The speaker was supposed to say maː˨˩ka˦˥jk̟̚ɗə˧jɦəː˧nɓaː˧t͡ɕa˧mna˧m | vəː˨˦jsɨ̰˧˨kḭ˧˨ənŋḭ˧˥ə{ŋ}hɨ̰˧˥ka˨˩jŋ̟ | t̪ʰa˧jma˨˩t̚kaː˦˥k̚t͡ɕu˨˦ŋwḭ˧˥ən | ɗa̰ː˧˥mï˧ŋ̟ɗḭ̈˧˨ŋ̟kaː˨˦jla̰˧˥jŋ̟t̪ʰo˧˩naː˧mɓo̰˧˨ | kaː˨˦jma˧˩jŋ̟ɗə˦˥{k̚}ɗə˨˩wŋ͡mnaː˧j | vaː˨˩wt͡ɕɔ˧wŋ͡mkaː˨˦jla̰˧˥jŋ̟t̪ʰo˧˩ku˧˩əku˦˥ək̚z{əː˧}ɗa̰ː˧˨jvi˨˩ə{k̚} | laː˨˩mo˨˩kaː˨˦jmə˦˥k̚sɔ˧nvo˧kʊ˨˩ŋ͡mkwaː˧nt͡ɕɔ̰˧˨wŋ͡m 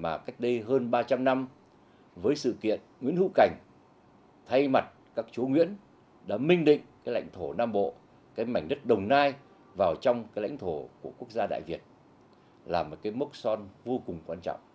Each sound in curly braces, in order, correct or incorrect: incorrect: n, incorrect: t̚, incorrect: aː˧, incorrect: t̚

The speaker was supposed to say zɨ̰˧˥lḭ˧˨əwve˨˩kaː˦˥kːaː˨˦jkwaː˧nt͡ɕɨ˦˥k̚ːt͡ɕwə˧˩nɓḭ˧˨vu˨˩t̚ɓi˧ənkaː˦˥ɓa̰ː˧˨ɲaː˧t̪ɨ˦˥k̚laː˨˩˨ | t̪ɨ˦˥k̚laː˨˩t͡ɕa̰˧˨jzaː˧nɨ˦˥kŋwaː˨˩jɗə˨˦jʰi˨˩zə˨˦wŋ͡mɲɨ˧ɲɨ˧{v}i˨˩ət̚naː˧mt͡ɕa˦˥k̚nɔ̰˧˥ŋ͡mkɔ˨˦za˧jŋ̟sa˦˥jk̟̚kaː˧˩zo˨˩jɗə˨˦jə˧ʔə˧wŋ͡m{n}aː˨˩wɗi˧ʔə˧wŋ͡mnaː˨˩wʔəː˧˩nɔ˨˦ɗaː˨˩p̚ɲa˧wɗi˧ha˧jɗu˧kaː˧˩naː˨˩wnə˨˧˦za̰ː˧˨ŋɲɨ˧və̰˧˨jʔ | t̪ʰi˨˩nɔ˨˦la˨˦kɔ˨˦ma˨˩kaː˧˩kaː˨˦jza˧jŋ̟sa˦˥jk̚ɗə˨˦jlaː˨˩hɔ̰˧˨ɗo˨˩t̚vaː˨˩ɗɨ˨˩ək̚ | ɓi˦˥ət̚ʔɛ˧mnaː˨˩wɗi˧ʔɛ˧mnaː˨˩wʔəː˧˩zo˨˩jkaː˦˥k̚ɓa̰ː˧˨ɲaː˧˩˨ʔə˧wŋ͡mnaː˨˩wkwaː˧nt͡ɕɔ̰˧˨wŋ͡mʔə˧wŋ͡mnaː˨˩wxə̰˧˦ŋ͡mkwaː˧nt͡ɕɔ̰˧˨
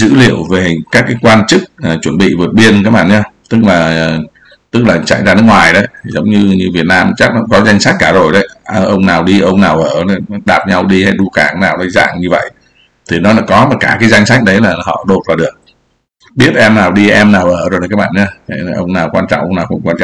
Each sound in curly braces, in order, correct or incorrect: correct, correct

